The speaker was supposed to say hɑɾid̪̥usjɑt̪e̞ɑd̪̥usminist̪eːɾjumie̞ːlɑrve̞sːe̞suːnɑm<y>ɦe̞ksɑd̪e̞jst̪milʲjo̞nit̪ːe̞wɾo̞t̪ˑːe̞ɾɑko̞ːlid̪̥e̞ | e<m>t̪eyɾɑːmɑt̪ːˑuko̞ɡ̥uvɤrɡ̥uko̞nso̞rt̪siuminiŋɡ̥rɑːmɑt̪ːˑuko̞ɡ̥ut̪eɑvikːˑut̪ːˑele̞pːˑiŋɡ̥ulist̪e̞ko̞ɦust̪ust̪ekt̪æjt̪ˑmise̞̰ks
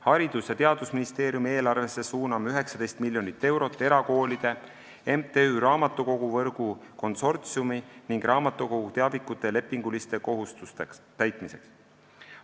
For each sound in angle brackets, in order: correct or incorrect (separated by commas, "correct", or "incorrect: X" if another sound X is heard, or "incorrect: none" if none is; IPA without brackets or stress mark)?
correct, correct